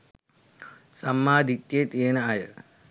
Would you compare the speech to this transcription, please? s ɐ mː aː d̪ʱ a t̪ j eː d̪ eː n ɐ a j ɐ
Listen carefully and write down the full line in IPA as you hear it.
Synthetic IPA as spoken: s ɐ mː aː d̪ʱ i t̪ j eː t̪ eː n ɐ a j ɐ